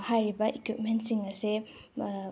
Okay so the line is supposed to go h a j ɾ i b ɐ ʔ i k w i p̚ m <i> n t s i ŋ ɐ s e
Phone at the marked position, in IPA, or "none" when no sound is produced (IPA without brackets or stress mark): e